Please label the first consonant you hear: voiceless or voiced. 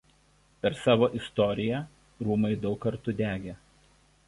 voiceless